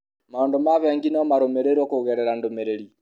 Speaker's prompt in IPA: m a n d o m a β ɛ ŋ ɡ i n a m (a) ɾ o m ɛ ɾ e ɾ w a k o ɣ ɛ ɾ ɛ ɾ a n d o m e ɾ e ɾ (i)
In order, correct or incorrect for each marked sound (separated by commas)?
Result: correct, correct